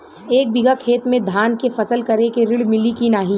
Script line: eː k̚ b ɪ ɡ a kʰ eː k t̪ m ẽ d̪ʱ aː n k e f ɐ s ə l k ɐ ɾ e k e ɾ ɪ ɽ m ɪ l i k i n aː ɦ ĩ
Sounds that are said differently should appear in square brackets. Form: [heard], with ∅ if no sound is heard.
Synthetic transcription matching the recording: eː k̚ b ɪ ɡ a kʰ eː [∅] t̪ m ẽ d̪ʱ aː n k e f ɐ s ə l k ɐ ɾ e k e ɾ ɪ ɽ m ɪ l i k i n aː ɦ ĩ